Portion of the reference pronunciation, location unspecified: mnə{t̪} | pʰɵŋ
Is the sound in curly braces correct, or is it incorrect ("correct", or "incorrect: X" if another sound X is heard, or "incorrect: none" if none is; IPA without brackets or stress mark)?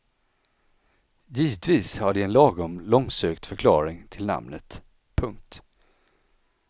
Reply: correct